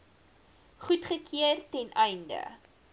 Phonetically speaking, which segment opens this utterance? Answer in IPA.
χ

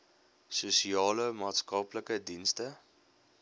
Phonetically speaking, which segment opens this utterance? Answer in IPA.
s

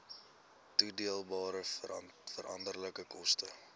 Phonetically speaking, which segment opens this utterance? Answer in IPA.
t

